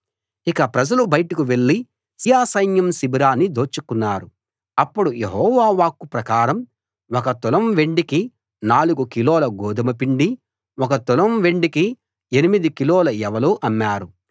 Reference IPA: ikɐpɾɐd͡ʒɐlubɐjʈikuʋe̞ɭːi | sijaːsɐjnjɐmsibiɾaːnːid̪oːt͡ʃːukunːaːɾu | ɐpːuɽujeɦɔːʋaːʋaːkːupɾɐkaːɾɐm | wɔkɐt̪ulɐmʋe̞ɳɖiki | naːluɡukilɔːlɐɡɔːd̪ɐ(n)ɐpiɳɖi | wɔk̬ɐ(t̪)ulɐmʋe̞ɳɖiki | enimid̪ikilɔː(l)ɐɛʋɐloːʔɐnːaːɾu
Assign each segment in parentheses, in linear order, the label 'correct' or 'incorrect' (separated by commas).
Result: incorrect, correct, correct